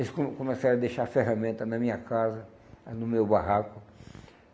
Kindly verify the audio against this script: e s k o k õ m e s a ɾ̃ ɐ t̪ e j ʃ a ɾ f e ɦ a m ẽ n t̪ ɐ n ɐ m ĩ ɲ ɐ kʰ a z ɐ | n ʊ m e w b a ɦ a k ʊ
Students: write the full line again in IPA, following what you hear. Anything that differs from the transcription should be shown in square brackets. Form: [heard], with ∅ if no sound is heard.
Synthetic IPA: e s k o k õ m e s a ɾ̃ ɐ [d̪] e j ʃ a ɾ f e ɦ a m ẽ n t̪ ɐ n ɐ m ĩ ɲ ɐ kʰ a z ɐ | n ʊ m e w b a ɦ a k ʊ